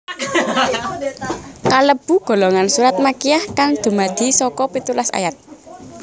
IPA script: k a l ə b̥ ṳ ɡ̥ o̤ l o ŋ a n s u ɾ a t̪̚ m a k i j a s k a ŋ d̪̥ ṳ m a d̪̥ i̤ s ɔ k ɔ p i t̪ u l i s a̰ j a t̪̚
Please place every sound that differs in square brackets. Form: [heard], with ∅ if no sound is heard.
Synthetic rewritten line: k a l ə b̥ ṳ ɡ̥ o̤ l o ŋ a n s u ɾ a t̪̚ m a k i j a [h] k a ŋ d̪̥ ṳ m a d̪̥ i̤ s ɔ k ɔ p i t̪ u l [a] s a̰ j a t̪̚